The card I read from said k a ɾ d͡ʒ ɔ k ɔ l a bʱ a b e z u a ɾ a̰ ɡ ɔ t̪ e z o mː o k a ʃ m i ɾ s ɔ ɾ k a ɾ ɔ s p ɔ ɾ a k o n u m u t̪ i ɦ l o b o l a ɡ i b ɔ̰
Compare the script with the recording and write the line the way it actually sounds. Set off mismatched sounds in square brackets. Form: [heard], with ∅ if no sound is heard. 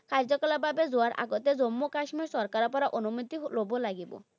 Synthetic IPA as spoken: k a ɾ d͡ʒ ɔ k ɔ l a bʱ a b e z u a ɾ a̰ ɡ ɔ t̪ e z o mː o k a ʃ m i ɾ s ɔ ɾ k a ɾ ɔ [∅] p ɔ ɾ a [ʔ] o n u m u t̪ i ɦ l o b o l a ɡ i b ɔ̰